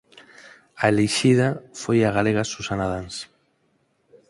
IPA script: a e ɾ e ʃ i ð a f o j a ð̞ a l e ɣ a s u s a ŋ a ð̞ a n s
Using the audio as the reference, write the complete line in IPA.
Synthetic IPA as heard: a e l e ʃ i ð a f o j a ɣ̞ a l e ɣ a s u s a n a ð̞ a n s